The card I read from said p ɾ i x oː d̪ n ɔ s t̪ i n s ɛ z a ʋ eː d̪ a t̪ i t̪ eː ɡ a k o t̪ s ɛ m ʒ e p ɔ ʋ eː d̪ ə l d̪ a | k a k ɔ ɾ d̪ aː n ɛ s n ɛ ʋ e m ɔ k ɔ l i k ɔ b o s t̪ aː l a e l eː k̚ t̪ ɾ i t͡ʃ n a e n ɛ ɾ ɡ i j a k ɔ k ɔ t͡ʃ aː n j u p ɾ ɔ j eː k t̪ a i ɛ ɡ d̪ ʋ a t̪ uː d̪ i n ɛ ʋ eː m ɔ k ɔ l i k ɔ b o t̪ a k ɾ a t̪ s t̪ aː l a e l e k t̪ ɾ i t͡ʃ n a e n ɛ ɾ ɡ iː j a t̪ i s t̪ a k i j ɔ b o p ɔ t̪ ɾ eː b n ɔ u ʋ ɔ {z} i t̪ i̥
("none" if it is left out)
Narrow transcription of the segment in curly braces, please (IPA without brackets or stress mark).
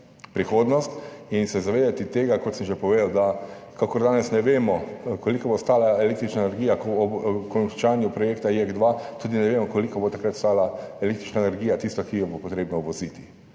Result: z